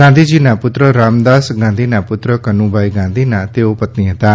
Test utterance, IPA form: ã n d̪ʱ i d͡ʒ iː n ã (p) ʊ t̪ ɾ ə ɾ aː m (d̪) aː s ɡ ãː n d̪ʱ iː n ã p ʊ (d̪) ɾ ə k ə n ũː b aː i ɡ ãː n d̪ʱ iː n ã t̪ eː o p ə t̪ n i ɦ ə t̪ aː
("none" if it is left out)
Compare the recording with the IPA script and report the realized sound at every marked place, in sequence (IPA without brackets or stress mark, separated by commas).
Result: p, d̪, t̪